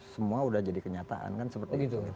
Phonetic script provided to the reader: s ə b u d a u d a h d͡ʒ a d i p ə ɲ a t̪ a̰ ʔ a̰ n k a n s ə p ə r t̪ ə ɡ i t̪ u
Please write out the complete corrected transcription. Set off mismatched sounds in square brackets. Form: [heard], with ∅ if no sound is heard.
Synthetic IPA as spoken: s ə [m] u [∅] a u d a h d͡ʒ a d i [k] ə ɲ a t̪ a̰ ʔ a̰ n k a n s ə p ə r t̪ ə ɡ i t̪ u

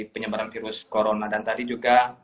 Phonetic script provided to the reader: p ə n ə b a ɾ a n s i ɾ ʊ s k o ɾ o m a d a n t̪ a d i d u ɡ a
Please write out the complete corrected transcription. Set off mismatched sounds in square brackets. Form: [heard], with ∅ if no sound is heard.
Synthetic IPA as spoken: p ə [ɲ] ə b a ɾ a n [f] i ɾ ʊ s k o ɾ o [n] a d a n t̪ a d i [d͡ʒ] u ɡ a

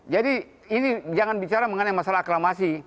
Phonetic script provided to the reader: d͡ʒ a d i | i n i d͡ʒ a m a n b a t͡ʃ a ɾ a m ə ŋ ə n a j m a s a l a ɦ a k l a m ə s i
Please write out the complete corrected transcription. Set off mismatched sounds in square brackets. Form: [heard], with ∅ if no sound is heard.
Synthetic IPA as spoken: d͡ʒ a d i | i n i d͡ʒ a [ŋ] a n b [i] t͡ʃ a ɾ a m ə ŋ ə n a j m a s a l a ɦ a k l a m [a] s i

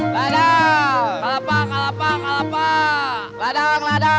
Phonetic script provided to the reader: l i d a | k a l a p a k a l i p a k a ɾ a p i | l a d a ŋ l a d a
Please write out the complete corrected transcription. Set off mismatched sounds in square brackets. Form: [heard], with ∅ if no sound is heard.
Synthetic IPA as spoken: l [a] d a | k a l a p a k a l [a] p a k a [l] a p [a] | l a d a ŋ l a d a

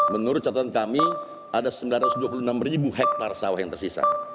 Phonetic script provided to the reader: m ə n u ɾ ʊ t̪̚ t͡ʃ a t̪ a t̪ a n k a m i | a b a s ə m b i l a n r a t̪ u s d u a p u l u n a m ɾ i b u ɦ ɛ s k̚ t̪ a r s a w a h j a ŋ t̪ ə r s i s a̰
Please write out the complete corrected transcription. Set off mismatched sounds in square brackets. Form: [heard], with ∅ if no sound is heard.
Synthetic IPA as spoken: m ə n u ɾ ʊ t̪̚ t͡ʃ a t̪ a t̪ a n k a m i | a [d] a s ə m b i l a n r a t̪ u s d u a p u l u n a m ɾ i b u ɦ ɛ [∅] k̚ t̪ a r s a w a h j a ŋ t̪ ə r s i s a̰

